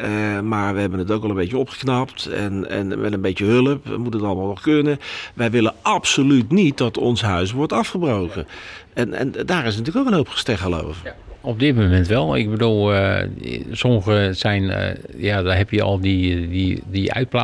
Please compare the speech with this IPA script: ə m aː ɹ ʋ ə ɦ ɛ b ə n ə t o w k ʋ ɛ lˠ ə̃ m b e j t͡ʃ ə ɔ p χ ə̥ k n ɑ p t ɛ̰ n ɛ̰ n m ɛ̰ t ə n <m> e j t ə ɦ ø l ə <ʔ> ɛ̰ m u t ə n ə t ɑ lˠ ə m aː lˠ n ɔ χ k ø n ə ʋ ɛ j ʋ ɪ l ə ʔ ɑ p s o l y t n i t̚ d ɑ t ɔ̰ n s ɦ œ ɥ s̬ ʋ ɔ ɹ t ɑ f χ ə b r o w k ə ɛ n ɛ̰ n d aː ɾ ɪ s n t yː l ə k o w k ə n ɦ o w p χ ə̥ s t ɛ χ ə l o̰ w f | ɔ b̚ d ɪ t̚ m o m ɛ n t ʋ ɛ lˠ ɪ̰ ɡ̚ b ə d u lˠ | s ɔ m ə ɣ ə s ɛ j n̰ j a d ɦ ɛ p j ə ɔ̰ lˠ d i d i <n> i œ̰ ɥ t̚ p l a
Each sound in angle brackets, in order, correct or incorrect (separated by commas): incorrect, incorrect, incorrect